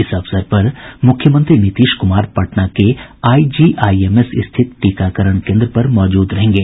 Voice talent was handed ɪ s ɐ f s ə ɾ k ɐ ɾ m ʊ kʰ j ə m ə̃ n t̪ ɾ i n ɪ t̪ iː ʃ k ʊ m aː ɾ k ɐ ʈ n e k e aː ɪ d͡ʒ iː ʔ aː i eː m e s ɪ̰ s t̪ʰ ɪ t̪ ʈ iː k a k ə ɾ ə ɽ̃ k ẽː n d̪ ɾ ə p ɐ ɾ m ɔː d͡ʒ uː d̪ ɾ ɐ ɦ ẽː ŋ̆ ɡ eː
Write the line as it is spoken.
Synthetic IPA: ɪ s ɐ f s ə ɾ p ɐ ɾ m ʊ kʰ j ə m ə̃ n t̪ ɾ i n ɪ t̪ iː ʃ k ʊ m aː ɾ p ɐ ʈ n a k e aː i d͡ʒ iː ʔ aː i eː m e s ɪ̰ s t̪ʰ ɪ t̪ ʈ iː k a k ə ɾ ə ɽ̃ k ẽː n d̪ ɾ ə p ɐ ɾ m ɔː d͡ʒ uː d̪ ɾ ɐ ɦ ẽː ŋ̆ ɡ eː

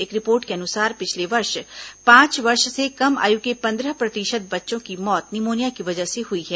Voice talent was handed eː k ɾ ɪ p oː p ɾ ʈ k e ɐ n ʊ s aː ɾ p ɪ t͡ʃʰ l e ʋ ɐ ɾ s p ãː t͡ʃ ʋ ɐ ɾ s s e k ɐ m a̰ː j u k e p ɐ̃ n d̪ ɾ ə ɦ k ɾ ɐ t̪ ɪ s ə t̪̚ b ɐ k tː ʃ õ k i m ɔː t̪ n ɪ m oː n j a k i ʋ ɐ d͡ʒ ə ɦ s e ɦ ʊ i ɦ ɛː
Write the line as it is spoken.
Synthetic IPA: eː k ɾ ɪ p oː ɾ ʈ k e ɐ n ʊ s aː ɾ p ɪ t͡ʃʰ l e ʋ ɐ ɾ ʃ p ãː t͡ʃ ʋ ɐ ɾ ʃ s e k ɐ m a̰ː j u k e p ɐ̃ n d̪ ɾ ə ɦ p ɾ ɐ t̪ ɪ ʃ ə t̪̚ b ɐ tː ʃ õ k i m ɔː t̪ n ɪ m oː n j a k i ʋ ɐ d͡ʒ ə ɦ s e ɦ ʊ i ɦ ɛː

